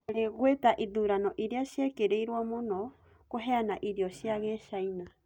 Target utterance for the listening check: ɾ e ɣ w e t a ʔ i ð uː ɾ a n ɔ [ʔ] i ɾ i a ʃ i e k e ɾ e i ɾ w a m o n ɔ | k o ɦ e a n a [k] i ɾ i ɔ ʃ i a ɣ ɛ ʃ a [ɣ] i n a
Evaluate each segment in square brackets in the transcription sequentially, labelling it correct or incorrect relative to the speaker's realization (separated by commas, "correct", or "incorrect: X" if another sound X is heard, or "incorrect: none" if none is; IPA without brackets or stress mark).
correct, incorrect: ʔ, incorrect: none